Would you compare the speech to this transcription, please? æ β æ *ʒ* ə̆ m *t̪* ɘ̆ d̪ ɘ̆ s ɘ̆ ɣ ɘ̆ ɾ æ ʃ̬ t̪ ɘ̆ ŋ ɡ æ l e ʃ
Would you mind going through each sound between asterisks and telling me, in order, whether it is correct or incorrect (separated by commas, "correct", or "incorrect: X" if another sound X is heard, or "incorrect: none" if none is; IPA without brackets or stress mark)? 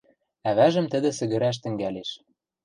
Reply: correct, correct